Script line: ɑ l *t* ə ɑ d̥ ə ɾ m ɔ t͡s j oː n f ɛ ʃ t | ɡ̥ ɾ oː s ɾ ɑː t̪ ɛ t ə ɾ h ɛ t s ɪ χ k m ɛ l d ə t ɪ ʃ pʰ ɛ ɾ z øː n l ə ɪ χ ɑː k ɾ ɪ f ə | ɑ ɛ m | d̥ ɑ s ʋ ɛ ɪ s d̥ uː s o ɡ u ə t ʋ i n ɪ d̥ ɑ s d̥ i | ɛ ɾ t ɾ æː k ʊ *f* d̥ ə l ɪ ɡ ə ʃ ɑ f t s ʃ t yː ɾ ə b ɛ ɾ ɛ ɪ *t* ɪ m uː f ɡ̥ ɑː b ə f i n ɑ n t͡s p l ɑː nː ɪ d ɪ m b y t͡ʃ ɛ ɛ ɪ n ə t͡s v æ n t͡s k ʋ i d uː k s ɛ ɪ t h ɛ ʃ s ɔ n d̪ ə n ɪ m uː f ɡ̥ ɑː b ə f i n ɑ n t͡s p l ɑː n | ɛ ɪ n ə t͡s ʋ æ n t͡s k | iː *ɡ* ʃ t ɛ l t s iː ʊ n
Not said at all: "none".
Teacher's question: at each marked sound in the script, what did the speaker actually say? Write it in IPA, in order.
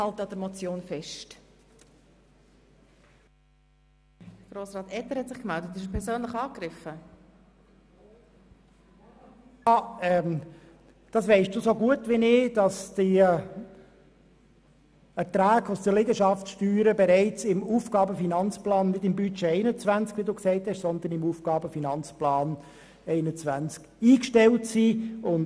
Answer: t, s, t͡s, k

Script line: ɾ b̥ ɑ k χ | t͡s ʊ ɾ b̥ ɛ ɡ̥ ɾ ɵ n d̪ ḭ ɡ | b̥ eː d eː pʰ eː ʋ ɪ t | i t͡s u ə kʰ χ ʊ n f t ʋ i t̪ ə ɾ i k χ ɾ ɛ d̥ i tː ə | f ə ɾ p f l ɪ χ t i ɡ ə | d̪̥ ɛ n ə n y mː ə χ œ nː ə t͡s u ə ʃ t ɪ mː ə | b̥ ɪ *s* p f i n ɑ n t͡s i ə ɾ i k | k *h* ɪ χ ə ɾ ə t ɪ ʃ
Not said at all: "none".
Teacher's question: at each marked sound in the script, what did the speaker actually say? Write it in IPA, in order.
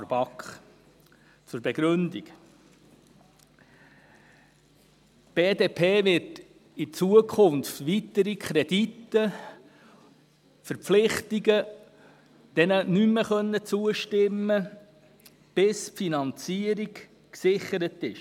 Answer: s, s

